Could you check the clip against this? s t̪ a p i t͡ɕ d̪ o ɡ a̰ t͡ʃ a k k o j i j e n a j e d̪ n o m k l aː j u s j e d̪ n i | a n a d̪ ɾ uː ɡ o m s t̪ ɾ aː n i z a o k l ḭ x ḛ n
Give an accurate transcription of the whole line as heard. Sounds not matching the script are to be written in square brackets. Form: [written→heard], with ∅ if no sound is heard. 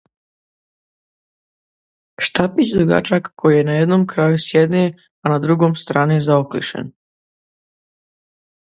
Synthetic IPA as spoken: [s→ʃ] t̪ a p i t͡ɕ d̪ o ɡ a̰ t͡ʃ a k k o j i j e n a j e d̪ n o m k [l→ɾ] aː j u s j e d̪ n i | a n a d̪ ɾ [uː→u] ɡ o m s t̪ ɾ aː n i z a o k l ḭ [x→ʃ] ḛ n